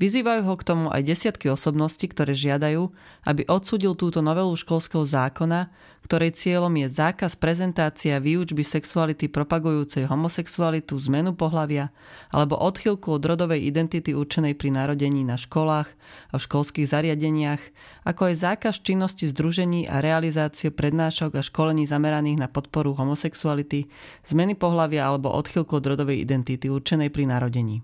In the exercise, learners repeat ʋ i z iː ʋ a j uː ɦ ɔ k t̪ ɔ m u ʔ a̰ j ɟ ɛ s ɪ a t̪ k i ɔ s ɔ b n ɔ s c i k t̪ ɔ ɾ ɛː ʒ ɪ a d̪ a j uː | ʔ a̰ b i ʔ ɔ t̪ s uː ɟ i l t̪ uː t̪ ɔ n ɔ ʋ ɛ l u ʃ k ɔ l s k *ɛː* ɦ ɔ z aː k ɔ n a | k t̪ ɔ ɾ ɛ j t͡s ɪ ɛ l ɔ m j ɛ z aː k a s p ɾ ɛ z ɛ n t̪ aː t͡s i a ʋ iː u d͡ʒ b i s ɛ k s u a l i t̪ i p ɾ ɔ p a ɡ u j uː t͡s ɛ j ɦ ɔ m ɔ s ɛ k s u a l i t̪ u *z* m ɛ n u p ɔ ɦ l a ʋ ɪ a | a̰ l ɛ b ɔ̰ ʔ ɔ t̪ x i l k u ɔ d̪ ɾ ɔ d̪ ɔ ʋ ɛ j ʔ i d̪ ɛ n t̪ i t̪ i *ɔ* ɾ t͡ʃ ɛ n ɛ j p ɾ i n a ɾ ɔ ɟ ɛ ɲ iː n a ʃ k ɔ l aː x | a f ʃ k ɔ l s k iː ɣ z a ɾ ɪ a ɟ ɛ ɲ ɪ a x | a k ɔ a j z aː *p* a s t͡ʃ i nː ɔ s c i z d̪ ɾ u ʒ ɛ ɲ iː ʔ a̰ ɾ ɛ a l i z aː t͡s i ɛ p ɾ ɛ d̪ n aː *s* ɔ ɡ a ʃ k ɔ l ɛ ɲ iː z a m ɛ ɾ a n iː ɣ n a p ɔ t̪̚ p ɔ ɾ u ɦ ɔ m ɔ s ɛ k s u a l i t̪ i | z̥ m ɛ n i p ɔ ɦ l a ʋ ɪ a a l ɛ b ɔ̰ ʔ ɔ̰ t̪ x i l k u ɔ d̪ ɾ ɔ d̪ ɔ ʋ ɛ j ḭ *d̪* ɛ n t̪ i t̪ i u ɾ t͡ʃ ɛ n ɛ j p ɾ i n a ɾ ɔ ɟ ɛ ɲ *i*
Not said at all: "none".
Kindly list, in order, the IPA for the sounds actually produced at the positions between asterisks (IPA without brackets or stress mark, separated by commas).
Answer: ɛ, z, u, k, ʃ, d̪, iː